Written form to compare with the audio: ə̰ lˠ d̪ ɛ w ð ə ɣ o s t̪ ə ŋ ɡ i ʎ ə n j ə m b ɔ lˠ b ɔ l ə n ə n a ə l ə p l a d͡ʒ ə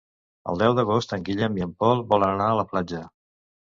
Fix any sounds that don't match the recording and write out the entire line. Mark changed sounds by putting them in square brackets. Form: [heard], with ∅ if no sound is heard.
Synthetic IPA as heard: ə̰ lˠ d̪ ɛ w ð ə ɣ o s t̪ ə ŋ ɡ i ʎ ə [m] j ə m [p] ɔ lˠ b ɔ l ə n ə n a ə l ə p l a d͡ʒ ə